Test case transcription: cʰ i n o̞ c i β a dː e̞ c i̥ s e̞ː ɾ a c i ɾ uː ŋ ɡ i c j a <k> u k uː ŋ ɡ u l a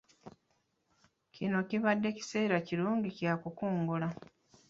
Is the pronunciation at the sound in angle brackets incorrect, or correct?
correct